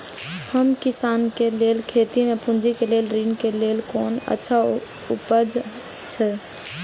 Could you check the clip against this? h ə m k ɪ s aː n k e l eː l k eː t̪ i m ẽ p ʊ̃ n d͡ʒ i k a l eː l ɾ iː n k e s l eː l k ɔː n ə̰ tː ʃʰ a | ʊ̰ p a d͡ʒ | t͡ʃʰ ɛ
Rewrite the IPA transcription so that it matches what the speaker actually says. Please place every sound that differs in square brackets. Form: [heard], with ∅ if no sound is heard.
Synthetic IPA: h ə m k ɪ s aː n k e l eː l [kʰ] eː t̪ i m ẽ p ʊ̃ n d͡ʒ i k [e] l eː l ɾ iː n k e [∅] l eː l k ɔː n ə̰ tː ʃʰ a | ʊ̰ p [ə] d͡ʒ | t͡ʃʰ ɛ